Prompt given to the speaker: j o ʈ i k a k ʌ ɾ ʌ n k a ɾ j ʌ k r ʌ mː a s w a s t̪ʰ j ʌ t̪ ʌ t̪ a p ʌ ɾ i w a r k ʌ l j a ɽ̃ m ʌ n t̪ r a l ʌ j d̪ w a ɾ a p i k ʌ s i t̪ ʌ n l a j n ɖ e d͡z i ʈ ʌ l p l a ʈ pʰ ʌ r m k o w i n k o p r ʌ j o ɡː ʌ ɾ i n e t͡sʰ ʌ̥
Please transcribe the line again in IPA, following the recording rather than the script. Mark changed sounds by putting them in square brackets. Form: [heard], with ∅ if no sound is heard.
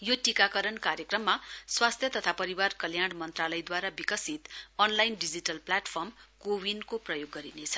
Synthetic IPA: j o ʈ i k a k ʌ ɾ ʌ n k a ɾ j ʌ k r ʌ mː a s w a s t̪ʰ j ʌ t̪ ʌ [t̪ʰ] a p ʌ ɾ i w a r k ʌ l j a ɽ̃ m ʌ n t̪ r a l ʌ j d̪ w a ɾ a [b] i k ʌ s i t̪ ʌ n l a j n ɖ [i] d͡z i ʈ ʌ l p l a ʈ pʰ ʌ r m k o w i n k o p r ʌ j o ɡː ʌ ɾ i n e t͡sʰ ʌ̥